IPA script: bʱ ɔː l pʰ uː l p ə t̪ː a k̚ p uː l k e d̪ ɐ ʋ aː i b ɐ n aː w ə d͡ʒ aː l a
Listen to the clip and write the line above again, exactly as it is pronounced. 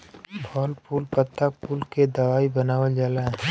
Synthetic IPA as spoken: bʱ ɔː l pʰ uː l p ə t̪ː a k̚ p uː l k e d̪ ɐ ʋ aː i b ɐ n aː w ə d͡ʒ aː l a